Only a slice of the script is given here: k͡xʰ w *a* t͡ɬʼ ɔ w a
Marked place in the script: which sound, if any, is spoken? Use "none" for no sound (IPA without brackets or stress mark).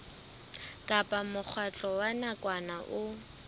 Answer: a